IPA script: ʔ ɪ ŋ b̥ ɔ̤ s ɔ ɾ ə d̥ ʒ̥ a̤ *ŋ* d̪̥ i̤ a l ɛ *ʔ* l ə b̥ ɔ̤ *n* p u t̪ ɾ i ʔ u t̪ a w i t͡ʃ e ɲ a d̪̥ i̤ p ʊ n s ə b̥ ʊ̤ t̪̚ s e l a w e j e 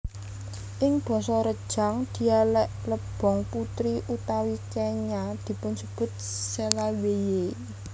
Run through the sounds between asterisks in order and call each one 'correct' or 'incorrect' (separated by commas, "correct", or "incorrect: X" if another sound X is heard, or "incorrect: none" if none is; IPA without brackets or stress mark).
correct, correct, incorrect: ŋ